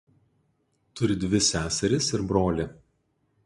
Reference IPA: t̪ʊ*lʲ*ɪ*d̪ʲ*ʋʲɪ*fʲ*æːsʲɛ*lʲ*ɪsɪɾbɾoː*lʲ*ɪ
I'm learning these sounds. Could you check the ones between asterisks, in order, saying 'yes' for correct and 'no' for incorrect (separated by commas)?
no, yes, no, no, yes